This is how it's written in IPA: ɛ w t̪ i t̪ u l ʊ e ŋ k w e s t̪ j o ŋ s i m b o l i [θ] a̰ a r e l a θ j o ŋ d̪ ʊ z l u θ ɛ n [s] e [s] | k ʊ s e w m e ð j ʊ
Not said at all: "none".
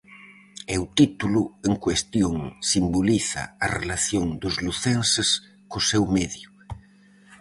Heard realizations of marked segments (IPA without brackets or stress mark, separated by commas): θ, s, s